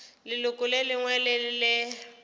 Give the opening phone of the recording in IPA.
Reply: l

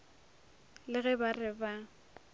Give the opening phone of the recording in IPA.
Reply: l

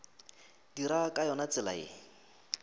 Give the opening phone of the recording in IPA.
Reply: d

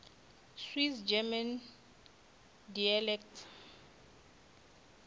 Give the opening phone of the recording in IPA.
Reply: s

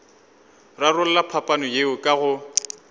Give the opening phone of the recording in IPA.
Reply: r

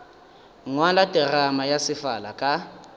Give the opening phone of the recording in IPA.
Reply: ŋ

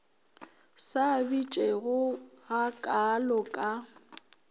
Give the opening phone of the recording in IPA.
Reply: s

